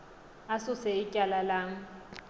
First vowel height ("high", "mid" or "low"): low